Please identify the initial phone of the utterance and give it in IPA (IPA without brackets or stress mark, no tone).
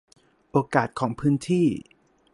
ʔ